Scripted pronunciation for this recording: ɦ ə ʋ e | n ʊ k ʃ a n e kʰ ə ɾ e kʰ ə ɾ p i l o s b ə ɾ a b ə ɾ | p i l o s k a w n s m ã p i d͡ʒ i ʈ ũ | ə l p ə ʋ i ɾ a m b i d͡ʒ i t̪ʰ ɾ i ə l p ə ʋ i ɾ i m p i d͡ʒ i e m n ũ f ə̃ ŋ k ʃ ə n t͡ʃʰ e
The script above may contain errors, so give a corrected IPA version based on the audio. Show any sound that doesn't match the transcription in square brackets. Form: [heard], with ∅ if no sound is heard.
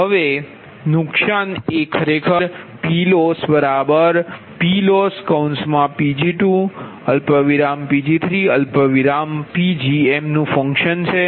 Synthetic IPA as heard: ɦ ə ʋ e | n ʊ k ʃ a n e kʰ ə ɾ e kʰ ə ɾ p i l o s b ə ɾ a b ə ɾ | p i l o s k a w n s m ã p i d͡ʒ i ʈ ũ | ə l p ə ʋ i ɾ a m [p] i d͡ʒ i t̪ʰ ɾ i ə l p ə ʋ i ɾ [a] m p i d͡ʒ i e m n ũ f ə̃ ŋ k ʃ ə n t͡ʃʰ e